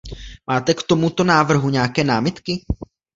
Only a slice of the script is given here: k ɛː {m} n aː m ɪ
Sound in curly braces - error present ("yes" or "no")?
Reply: yes